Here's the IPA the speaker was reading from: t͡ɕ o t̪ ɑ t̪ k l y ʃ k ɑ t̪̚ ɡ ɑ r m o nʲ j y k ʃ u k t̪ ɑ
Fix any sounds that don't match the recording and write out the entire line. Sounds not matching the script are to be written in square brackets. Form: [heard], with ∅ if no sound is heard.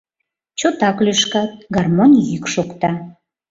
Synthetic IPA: t͡ɕ o t̪ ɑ [∅] k l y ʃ k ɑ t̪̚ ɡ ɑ r m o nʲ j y k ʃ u k t̪ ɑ